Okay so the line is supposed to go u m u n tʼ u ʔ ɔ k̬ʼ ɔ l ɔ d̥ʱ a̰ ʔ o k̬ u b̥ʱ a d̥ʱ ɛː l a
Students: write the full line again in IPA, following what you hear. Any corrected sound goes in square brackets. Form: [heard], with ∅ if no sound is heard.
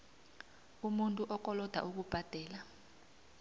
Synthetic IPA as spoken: u m u n tʼ u ʔ ɔ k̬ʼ ɔ l ɔ d̥ʱ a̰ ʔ [u] k̬ u b̥ʱ a d̥ʱ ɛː l a

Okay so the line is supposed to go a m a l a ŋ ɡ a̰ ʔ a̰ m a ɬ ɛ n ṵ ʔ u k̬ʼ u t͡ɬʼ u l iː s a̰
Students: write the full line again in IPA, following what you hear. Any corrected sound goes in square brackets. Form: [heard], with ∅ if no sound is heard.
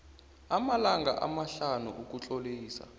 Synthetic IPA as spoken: a m a l a ŋ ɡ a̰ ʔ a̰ m a ɬ [a] n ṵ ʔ u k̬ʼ u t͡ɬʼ [o] l iː s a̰

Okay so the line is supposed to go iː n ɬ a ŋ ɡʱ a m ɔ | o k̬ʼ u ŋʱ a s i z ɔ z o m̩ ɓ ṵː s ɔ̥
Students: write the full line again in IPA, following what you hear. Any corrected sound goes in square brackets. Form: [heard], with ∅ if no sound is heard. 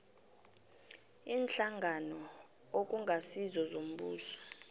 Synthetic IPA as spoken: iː n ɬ a ŋ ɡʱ a [n] ɔ | o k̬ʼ u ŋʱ a s i z ɔ z o m̩ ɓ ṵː s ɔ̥

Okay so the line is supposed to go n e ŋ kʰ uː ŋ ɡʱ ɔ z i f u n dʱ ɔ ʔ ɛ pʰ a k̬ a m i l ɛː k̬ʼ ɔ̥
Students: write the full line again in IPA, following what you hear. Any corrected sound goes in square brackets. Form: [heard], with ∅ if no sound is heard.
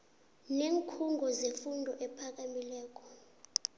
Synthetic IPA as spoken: n e ŋ kʰ [u] ŋ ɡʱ ɔ z [e] f u n dʱ ɔ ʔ ɛ pʰ a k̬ a m i l ɛː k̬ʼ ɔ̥

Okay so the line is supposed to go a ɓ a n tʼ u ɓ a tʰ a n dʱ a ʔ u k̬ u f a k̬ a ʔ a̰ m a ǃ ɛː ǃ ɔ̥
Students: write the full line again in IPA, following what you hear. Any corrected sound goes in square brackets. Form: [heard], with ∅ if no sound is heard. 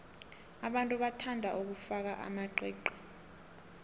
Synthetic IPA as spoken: a ɓ a n tʼ u ɓ a tʰ a n dʱ a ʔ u k̬ u f a k̬ a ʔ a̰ m a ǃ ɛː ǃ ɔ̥

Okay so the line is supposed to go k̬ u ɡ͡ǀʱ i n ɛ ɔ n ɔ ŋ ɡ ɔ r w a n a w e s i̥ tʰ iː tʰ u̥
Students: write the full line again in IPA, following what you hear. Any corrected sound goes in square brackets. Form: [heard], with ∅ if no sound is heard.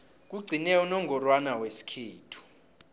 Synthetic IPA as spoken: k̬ u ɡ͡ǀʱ i n ɛ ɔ n ɔ ŋ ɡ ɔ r w a n a w e s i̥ [kʰ] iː tʰ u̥

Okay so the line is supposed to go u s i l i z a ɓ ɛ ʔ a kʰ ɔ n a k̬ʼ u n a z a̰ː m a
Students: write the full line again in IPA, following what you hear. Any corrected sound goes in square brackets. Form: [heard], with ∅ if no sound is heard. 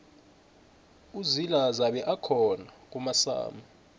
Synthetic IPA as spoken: u [z] i l [a] z a ɓ ɛ ʔ a kʰ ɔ n a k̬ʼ u [m] a [s] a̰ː m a

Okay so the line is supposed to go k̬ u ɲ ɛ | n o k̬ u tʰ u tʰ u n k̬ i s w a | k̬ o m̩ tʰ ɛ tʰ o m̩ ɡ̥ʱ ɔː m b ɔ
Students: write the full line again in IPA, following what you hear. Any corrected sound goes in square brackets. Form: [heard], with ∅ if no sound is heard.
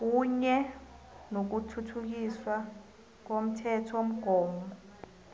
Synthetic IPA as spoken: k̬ u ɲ ɛ | n o k̬ u tʰ u tʰ u [∅] k̬ i s w a | k̬ o m̩ tʰ ɛ tʰ o m̩ ɡ̥ʱ ɔː m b ɔ

